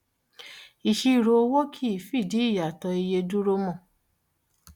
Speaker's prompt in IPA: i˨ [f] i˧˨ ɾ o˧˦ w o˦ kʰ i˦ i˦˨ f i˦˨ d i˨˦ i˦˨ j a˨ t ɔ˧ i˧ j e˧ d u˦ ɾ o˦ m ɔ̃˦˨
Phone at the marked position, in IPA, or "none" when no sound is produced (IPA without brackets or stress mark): ʃ